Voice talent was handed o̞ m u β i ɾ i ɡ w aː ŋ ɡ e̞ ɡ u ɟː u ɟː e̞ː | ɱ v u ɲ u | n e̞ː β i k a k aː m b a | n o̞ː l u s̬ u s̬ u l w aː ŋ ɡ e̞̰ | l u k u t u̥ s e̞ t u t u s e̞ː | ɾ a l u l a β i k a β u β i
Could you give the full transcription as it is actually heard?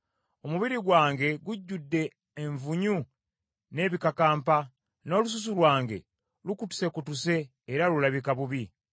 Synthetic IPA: o̞ m u β i ɾ i ɡ w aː ŋ ɡ e̞ ɡ u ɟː u dː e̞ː | ɱ v u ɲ u | n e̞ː β i k a k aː m p a | n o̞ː l u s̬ u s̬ u l w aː ŋ ɡ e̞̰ | l u k u t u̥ s e̞ k u t u s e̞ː | ɾ a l u l a β i k a β u β i